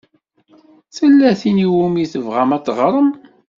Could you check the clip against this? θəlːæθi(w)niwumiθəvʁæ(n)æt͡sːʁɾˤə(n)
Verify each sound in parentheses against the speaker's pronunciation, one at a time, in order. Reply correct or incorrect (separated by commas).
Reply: incorrect, incorrect, incorrect